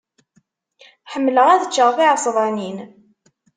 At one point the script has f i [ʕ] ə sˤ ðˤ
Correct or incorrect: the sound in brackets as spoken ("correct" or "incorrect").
correct